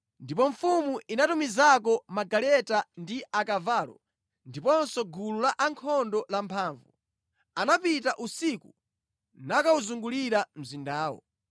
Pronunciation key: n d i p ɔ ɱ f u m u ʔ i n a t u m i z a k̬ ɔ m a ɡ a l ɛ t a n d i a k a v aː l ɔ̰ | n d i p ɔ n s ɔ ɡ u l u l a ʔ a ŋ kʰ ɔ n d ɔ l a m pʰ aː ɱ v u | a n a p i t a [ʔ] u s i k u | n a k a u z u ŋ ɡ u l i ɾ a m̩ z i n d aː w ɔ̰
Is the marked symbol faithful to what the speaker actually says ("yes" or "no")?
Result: yes